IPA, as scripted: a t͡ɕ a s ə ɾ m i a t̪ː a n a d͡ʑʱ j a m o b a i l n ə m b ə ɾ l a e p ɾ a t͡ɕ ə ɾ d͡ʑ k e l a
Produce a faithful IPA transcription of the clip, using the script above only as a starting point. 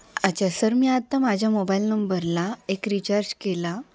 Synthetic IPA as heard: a t͡ɕ a s ə ɾ m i a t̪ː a m a d͡ʑʱ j a m o b a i l n ə m b ə ɾ l a e k ɾ i t͡ɕ a ɾ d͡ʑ k e l a